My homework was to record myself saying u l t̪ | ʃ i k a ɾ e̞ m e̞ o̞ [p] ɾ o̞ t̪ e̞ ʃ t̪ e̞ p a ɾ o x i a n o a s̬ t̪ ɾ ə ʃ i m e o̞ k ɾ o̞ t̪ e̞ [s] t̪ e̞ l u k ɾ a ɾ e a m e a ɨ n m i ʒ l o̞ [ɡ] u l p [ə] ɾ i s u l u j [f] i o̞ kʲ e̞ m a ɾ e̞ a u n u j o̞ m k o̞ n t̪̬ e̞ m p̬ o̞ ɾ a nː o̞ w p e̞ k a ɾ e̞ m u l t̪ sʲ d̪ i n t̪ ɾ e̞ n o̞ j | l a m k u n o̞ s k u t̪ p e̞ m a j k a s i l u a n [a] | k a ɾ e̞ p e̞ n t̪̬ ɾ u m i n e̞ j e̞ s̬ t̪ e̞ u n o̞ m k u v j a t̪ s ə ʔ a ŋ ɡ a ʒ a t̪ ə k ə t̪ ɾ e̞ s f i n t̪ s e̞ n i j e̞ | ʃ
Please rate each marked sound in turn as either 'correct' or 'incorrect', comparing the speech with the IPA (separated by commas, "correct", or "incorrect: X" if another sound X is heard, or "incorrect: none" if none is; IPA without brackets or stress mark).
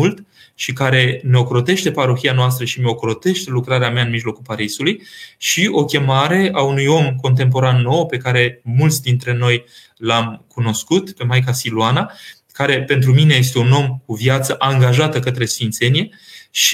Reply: incorrect: k, incorrect: ʃ, incorrect: k, incorrect: a, incorrect: ʃ, correct